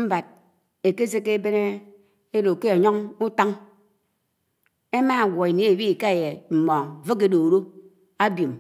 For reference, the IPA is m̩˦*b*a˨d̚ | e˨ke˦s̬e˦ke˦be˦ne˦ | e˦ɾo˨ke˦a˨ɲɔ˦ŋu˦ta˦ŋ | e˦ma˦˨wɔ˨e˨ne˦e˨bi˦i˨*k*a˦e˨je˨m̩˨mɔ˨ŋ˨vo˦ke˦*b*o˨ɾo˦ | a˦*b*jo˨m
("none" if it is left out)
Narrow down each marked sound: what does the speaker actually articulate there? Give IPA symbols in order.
b, k, d, b

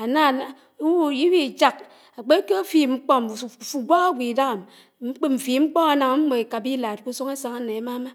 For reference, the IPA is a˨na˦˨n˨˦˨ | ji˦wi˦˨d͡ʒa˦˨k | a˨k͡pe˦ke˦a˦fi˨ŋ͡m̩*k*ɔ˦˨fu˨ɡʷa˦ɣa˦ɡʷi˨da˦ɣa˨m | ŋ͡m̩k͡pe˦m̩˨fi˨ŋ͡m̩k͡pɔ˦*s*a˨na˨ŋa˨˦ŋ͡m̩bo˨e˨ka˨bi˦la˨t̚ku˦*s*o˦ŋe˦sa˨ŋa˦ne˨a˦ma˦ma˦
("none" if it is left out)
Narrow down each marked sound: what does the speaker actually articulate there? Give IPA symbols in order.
k͡p, none, s

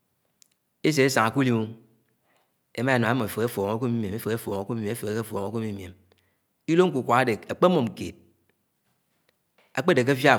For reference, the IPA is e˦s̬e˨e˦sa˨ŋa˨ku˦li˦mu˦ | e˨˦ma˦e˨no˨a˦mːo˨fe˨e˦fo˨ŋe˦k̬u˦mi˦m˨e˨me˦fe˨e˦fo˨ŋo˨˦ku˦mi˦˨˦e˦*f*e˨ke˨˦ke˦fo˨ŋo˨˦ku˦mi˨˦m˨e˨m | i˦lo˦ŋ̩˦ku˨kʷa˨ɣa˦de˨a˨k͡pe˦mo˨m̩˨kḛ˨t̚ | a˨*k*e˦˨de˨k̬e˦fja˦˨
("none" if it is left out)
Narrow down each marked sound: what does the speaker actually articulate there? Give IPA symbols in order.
f, k͡p

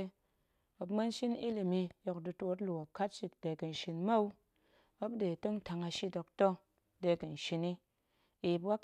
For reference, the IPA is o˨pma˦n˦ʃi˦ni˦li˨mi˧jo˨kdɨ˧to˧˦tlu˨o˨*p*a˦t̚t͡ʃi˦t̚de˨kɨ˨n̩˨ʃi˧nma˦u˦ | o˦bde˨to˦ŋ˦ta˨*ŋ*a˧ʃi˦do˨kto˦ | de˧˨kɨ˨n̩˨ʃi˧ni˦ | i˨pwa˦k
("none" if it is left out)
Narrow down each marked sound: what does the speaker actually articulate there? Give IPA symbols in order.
k, ŋ

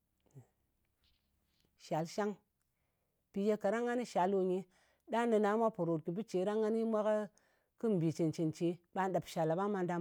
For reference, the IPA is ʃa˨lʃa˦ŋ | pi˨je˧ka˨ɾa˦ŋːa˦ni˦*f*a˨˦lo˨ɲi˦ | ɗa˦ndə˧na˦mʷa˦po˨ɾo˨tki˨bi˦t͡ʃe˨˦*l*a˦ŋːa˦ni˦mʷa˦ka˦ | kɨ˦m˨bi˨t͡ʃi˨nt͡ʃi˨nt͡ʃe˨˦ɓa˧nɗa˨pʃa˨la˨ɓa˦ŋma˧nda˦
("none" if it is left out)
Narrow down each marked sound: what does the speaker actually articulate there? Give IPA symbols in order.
ʃ, ɾ

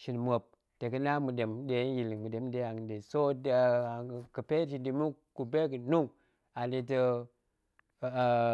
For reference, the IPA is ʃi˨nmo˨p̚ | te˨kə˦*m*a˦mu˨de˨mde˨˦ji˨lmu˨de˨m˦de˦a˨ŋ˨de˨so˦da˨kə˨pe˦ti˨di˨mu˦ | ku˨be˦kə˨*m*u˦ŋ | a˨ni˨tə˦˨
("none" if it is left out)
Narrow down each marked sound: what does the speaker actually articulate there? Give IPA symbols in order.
n, n

